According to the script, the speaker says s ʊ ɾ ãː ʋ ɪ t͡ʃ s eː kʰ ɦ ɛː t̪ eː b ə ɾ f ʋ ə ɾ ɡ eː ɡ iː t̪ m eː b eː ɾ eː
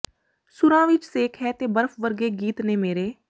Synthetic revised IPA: s ʊ ɾ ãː ʋ ɪ t͡ʃ s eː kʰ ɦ ɛː t̪ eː b ə ɾ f ʋ ə ɾ ɡ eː ɡ iː t̪ n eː m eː ɾ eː